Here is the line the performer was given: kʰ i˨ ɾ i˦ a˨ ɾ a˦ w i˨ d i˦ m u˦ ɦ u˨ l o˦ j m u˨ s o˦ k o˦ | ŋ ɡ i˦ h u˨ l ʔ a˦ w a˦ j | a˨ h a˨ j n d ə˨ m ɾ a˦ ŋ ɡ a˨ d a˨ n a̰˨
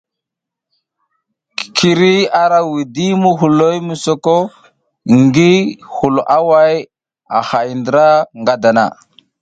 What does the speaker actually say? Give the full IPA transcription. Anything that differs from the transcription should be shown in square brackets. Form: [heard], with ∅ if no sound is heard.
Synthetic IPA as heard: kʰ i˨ ɾ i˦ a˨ ɾ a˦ w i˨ d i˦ m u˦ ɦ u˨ l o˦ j m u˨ s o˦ k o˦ | ŋ ɡ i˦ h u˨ l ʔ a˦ w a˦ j | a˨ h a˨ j n d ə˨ [∅] ɾ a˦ ŋ ɡ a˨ d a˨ n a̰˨